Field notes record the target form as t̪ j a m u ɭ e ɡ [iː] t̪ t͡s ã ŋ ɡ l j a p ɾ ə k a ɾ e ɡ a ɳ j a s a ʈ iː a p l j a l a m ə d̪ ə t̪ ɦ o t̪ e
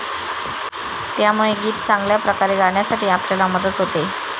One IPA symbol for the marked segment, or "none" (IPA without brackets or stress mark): iː